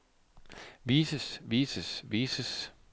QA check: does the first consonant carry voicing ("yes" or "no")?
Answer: yes